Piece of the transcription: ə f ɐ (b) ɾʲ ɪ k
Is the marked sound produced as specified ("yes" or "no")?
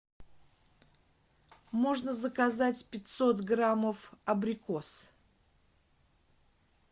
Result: yes